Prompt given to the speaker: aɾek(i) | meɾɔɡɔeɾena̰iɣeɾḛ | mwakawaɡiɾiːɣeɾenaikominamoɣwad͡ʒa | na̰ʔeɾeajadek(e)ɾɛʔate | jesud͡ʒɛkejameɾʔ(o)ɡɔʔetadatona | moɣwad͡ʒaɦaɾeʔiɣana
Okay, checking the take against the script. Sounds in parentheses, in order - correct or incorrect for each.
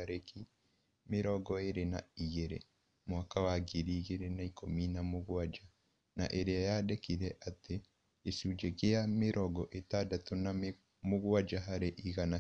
correct, incorrect, incorrect

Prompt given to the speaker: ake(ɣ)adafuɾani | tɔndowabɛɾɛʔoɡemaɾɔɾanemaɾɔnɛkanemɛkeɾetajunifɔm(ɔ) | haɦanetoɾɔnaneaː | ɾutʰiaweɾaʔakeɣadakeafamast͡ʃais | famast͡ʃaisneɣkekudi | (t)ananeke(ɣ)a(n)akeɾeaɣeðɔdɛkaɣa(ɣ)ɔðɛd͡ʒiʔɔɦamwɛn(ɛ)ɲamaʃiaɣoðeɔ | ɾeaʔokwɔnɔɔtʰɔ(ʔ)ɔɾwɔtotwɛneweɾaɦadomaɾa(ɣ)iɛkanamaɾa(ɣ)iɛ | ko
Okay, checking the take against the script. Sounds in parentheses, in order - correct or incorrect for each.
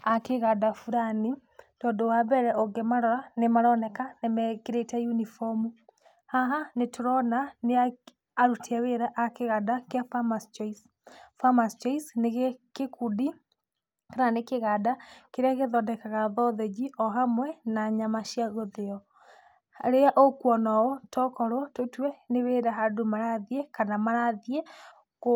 correct, incorrect, incorrect, correct, incorrect, incorrect, incorrect, incorrect, incorrect, incorrect

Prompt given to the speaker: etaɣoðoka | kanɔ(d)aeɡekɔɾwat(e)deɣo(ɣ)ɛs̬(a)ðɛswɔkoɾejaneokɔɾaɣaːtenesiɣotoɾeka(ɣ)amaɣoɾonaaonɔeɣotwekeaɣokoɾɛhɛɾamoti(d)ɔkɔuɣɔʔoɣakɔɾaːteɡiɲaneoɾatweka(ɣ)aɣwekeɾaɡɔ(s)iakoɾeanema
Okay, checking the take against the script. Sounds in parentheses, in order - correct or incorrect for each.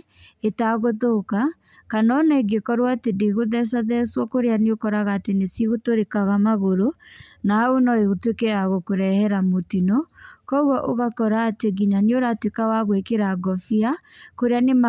incorrect, correct, incorrect, correct, correct, incorrect, incorrect, incorrect

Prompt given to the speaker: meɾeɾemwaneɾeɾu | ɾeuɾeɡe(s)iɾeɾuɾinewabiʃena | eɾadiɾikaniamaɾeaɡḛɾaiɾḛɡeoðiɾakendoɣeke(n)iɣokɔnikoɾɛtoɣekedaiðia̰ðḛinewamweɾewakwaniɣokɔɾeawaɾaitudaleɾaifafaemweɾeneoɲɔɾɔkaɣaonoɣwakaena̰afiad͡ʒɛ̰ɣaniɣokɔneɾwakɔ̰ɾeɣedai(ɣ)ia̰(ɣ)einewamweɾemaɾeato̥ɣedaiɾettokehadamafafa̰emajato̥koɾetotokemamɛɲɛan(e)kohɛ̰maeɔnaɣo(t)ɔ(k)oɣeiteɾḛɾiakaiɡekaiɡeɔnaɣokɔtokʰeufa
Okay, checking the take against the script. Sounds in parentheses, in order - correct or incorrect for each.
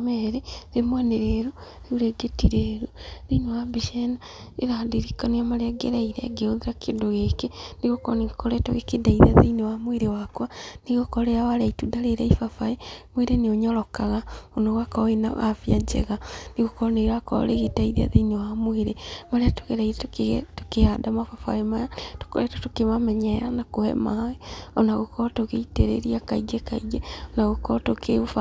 incorrect, correct, incorrect, incorrect, incorrect, incorrect, incorrect

